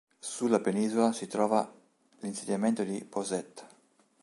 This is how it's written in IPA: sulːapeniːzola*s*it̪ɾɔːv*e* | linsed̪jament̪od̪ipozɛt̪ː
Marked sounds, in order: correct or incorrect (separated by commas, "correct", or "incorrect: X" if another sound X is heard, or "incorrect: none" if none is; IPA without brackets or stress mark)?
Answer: correct, incorrect: a